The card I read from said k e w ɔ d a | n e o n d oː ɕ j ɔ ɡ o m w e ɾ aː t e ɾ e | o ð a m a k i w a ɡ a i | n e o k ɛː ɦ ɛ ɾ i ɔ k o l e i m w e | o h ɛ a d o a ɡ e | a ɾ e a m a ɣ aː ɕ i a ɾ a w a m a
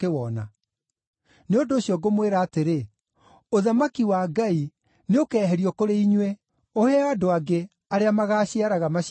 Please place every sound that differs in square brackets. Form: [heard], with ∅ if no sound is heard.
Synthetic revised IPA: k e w ɔ [n] a | n e o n d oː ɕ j ɔ ɡ o m w e ɾ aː t e ɾ e | o ð a m a k i w a ɡ a i | n e o k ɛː ɦ ɛ ɾ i ɔ k o [ɾ] e i [ɲ] w e | o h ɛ a d o a ɡ e | a ɾ e a m a ɣ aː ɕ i a ɾ a [ɣ] a m a